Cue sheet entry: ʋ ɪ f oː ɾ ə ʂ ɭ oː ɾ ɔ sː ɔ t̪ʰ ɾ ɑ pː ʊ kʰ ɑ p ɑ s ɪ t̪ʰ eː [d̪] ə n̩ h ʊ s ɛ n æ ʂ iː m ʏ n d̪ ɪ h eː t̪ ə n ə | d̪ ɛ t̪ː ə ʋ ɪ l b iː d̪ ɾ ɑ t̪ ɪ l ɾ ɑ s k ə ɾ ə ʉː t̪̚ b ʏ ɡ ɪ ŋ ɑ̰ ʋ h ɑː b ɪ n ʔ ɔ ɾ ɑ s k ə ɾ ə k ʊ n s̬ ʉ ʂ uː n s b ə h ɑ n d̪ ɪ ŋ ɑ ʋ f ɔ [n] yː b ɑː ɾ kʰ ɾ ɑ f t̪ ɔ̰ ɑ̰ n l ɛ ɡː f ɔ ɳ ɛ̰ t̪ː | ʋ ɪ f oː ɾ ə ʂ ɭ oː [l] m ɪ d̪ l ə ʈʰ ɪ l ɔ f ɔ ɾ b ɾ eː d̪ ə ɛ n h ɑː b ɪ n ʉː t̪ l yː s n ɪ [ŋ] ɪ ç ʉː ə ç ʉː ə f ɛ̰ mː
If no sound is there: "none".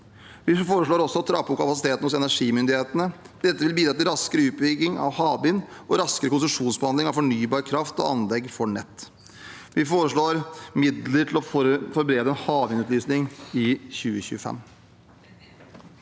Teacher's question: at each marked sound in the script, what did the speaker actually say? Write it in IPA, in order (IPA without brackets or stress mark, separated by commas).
t̪, ɳ, ɾ, ŋ